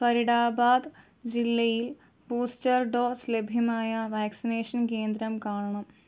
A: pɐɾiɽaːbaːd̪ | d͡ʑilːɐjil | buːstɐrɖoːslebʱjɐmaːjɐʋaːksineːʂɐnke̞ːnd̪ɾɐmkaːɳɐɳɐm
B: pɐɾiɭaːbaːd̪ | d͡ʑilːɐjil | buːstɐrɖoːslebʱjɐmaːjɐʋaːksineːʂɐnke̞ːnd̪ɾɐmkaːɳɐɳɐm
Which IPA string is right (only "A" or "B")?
A